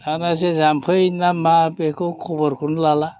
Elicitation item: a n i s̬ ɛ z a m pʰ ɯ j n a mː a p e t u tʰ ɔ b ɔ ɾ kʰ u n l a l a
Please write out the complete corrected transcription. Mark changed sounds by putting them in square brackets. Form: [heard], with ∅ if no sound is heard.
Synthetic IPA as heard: a n [a] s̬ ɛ z a m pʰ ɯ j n a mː a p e [k] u [kʰ] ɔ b ɔ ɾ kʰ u n l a l a